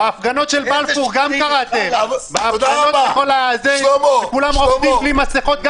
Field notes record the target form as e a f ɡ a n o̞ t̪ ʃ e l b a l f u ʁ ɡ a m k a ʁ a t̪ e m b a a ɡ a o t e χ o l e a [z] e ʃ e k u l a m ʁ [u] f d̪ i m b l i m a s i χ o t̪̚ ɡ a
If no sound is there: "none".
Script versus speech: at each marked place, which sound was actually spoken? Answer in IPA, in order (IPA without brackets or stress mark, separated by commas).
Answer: z, o